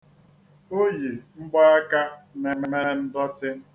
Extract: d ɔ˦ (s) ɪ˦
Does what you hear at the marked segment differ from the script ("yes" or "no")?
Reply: yes